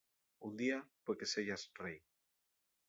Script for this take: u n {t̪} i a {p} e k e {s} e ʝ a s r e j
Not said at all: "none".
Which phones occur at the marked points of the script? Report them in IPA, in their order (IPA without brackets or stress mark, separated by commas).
d̪, p, s